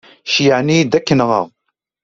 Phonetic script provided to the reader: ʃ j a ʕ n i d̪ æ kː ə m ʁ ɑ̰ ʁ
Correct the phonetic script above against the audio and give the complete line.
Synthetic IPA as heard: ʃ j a ʕ n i d̪ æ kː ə n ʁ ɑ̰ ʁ